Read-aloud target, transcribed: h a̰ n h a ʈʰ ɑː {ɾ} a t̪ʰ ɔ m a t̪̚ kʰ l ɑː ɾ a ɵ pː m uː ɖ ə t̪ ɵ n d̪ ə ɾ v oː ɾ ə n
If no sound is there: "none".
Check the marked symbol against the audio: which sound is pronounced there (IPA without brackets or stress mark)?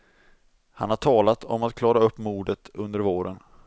l